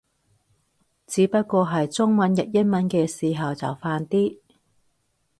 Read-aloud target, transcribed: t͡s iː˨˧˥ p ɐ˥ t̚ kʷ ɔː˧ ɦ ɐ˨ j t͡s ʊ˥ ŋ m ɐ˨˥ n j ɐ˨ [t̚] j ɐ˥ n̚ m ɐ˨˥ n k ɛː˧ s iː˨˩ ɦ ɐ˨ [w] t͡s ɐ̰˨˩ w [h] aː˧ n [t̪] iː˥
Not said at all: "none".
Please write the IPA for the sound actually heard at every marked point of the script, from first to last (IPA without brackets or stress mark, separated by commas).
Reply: t̚, w, f, t̪